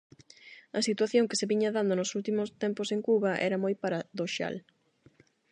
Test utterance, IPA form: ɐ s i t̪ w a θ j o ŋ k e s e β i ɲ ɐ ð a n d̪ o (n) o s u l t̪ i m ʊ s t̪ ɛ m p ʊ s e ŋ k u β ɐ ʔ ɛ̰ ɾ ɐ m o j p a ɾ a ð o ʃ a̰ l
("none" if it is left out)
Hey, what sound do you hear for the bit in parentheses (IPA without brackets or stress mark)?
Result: n